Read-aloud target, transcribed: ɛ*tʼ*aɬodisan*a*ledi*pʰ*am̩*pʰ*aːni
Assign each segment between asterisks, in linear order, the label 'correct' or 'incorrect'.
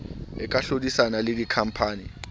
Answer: incorrect: kʼ, correct, incorrect: kʰ, correct

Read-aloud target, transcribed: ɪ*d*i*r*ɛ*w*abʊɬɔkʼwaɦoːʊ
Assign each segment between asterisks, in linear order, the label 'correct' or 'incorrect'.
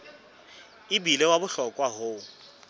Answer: incorrect: b, incorrect: l, correct

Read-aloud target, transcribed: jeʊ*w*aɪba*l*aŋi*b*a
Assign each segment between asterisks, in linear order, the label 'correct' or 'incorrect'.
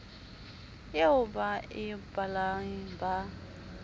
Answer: incorrect: b, correct, correct

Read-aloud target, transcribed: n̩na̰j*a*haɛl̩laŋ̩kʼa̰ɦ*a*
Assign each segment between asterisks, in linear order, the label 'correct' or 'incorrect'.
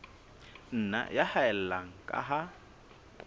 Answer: correct, correct

